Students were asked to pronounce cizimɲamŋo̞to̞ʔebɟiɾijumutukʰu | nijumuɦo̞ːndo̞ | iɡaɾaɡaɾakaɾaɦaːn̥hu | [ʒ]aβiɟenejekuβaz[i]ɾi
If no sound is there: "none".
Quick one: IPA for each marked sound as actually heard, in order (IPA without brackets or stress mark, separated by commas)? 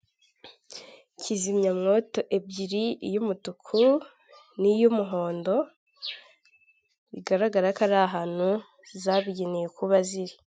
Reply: z, i